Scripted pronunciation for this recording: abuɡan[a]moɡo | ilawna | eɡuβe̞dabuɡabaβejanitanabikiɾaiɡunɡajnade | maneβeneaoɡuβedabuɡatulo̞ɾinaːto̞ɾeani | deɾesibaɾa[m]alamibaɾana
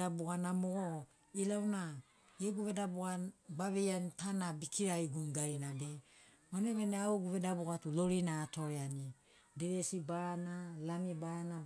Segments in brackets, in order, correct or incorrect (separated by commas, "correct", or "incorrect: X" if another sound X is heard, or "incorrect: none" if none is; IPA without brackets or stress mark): correct, incorrect: n